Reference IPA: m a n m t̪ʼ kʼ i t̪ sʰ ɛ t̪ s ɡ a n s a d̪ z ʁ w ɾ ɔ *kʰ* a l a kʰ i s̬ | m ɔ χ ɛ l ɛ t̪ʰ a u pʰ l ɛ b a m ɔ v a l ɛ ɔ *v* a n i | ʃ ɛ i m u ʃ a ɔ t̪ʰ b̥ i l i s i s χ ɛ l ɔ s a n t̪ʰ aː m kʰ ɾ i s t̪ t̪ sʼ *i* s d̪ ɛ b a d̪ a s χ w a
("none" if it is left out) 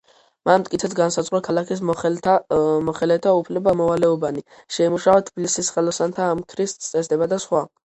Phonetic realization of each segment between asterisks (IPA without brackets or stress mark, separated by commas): kʰ, b, ɛ